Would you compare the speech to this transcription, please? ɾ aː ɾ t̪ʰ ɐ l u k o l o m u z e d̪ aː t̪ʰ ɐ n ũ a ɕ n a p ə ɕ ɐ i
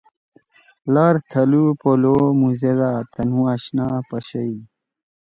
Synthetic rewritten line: l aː ɾ t̪ʰ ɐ l u p o l o m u z e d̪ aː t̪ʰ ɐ n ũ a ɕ n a p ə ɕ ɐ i